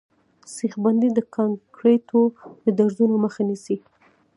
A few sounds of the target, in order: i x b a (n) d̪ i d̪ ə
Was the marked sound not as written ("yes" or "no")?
no